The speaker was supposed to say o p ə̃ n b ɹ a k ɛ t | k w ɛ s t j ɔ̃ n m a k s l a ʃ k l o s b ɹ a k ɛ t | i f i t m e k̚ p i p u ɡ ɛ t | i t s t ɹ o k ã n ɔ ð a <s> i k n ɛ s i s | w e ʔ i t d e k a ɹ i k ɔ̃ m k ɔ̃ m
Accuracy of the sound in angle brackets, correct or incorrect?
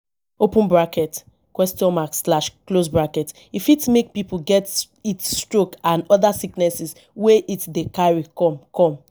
correct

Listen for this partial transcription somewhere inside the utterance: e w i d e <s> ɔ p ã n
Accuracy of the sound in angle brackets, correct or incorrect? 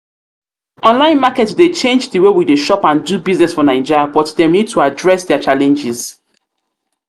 incorrect: ʃ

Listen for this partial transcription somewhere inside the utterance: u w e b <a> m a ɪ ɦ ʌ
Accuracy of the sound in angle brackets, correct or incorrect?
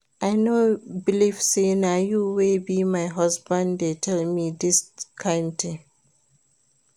incorrect: i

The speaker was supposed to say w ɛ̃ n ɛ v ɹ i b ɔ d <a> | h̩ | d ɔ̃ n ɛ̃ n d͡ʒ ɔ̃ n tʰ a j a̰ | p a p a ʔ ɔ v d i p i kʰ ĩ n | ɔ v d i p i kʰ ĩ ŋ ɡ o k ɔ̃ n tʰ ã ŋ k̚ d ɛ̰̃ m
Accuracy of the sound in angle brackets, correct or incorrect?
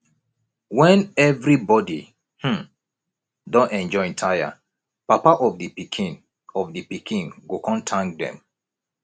incorrect: i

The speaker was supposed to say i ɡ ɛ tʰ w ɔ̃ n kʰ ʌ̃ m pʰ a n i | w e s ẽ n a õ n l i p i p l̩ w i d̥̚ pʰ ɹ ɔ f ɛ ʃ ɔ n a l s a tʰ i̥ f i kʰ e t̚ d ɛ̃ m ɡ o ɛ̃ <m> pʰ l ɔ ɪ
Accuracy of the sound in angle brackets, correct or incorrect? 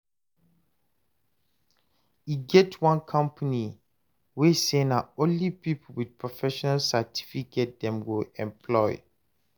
correct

